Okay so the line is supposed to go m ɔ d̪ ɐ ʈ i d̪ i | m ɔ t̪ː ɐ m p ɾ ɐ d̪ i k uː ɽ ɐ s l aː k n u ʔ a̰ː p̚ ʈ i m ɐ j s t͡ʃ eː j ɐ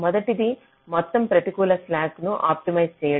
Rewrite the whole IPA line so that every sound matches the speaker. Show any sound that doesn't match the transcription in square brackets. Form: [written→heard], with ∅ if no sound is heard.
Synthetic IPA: m ɔ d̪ ɐ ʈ i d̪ i | m ɔ t̪ː ɐ m p ɾ ɐ [d̪→t̪] i k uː [ɽ→l] ɐ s l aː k n u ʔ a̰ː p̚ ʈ i m ɐ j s t͡ʃ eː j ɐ

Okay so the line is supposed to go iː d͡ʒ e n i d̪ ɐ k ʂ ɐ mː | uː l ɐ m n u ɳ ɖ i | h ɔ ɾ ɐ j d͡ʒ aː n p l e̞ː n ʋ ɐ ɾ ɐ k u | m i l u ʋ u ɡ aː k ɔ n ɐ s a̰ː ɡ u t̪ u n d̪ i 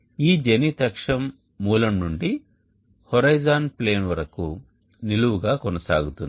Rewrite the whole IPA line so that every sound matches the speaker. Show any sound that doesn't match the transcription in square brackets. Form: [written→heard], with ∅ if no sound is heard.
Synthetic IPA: iː d͡ʒ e n i [d̪→t̪] ɐ k ʂ ɐ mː | uː l ɐ m n u ɳ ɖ i | h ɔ ɾ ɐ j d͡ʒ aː n p l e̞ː n ʋ ɐ ɾ ɐ k u | [m→n] i l u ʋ u ɡ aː k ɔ n ɐ s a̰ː ɡ u t̪ u n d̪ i

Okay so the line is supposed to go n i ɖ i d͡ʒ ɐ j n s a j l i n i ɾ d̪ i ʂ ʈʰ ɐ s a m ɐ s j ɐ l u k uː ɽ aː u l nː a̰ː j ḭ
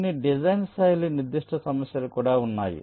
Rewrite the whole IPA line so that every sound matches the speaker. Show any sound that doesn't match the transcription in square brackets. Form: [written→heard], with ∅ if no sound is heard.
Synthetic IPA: n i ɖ i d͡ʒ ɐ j n s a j l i n i ɾ d̪ i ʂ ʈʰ ɐ s [a→ɐ] m ɐ s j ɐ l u k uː ɽ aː u [l→∅] nː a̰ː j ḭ

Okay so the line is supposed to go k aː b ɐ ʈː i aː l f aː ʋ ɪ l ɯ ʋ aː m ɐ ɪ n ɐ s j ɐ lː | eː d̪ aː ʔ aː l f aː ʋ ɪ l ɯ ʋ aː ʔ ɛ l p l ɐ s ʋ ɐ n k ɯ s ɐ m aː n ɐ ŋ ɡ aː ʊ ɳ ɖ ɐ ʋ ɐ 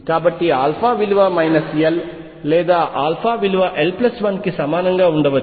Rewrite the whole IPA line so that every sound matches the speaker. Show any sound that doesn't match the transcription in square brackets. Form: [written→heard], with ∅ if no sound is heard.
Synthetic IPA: k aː b ɐ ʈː i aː l f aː ʋ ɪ l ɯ ʋ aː m ɐ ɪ n ɐ s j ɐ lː | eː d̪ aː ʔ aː l f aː ʋ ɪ l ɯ ʋ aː ʔ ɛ l p l ɐ s ʋ ɐ n k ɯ s ɐ m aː n ɐ ŋ ɡ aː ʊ ɳ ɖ ɐ ʋ ɐ

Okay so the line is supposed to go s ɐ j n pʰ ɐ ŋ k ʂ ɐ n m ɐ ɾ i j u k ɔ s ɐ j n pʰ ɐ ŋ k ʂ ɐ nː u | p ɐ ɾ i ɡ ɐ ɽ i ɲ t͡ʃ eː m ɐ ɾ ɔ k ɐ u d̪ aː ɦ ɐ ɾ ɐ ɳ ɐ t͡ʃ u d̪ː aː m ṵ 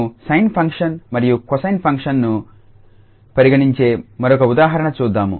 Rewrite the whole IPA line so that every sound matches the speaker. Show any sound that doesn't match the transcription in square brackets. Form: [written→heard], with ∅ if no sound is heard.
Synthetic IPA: s ɐ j n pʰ ɐ ŋ k ʂ ɐ n m ɐ ɾ i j u k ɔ s ɐ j n pʰ ɐ ŋ k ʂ ɐ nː u | p ɐ ɾ i ɡ ɐ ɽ i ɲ t͡ʃ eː m ɐ ɾ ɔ k ɐ u d̪ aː ɦ ɐ ɾ ɐ ɳ ɐ t͡ʃ [u→uː] d̪ː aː m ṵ

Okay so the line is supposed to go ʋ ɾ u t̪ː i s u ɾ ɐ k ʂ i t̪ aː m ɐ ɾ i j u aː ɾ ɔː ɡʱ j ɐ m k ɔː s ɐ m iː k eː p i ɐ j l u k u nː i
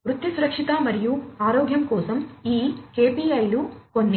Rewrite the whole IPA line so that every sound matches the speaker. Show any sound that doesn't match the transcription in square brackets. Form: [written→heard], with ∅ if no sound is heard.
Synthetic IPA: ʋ ɾ u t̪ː i s u ɾ ɐ k ʂ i t̪ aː m ɐ ɾ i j u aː ɾ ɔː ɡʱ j ɐ m k ɔː s ɐ m iː k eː p i ɐ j l u k [u→o] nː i

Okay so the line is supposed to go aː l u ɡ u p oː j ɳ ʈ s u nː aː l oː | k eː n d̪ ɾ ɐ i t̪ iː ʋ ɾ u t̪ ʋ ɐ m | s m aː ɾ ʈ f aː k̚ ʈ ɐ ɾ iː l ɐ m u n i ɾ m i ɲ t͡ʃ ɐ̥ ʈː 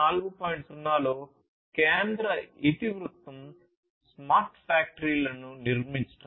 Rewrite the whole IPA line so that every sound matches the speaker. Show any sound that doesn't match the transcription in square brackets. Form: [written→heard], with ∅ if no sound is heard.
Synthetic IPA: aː l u ɡ u p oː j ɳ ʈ s u nː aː l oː | k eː n d̪ ɾ ɐ i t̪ [iː→i] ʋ ɾ u t̪ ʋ ɐ m | s m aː ɾ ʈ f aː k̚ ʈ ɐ ɾ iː l ɐ [m→n] u n i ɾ m i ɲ t͡ʃ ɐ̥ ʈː

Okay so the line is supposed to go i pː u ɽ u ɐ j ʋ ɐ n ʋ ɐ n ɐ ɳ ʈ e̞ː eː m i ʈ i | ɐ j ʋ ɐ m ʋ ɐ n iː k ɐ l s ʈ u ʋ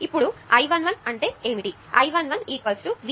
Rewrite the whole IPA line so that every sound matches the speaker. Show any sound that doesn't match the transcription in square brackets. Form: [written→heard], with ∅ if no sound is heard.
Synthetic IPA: i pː u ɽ u ɐ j ʋ ɐ n ʋ ɐ n ɐ ɳ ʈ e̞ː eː m i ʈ i | ɐ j ʋ ɐ [m→n] ʋ ɐ n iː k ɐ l s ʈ u ʋ

